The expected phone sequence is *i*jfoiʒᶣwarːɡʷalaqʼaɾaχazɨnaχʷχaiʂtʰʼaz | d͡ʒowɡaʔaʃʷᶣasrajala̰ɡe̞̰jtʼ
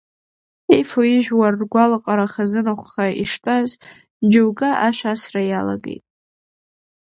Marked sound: incorrect: e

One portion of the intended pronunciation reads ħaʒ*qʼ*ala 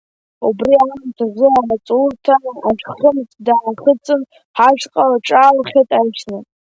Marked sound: correct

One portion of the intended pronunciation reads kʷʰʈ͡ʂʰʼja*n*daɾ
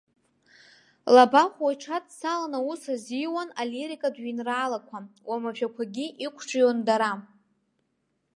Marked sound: correct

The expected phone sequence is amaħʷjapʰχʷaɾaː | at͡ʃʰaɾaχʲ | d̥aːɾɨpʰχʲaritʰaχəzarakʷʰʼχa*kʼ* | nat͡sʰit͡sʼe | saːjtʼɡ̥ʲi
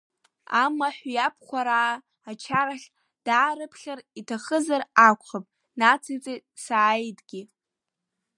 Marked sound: incorrect: pʼ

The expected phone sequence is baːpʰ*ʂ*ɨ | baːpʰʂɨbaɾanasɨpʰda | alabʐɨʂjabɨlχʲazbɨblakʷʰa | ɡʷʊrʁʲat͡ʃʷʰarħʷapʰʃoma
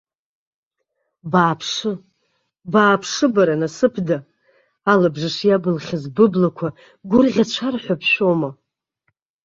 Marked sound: correct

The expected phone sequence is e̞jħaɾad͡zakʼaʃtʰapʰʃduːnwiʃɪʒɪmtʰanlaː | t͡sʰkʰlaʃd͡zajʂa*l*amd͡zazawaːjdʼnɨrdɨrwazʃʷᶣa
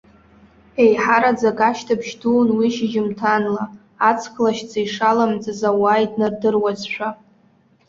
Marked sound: correct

